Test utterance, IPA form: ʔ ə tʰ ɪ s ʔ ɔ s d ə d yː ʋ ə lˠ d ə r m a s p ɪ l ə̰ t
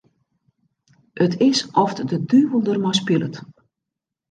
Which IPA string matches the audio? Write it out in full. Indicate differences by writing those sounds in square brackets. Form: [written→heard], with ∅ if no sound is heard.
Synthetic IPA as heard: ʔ ə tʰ ɪ s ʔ ɔ [s→f] d ə d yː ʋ ə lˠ d ə r m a s p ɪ l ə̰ t